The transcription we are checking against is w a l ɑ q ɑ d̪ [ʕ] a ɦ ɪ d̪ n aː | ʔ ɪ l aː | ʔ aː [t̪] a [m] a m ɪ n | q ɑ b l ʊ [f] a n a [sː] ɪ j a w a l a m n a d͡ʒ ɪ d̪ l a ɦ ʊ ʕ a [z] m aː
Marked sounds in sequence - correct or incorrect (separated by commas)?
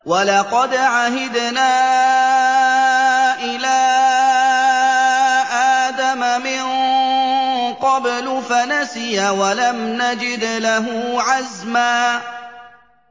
correct, incorrect, correct, correct, incorrect, correct